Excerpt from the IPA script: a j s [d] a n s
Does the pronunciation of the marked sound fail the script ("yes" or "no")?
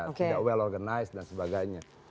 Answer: no